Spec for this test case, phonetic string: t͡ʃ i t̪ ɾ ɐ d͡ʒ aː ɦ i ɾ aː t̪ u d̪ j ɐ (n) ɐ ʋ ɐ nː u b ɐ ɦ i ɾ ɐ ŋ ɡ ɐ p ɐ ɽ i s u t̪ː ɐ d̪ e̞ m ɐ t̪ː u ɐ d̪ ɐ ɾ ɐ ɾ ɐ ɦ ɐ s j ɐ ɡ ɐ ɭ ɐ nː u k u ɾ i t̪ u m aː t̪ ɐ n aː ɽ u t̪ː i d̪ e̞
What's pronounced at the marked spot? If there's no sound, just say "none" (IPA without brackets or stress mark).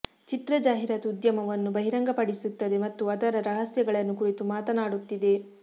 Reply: m